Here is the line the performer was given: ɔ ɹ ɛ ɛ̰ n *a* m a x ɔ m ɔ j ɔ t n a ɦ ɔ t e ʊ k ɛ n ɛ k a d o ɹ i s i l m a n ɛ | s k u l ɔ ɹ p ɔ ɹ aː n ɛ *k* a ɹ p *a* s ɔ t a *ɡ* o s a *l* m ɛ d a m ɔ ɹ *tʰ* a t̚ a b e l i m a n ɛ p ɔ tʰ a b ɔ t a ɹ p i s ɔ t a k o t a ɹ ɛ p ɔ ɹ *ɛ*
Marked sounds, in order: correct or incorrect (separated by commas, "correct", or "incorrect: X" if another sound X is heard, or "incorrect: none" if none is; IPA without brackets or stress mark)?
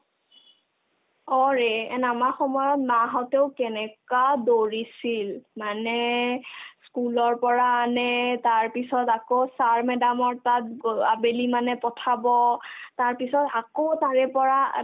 correct, incorrect: t, incorrect: i, incorrect: k, incorrect: ɹ, incorrect: t, incorrect: a